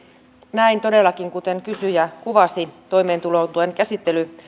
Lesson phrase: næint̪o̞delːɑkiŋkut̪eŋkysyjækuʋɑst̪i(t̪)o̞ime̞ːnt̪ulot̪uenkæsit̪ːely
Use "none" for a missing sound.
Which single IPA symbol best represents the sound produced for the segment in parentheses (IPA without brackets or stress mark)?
t̪